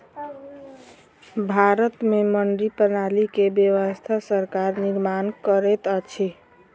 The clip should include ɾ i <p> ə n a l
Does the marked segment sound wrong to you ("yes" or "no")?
no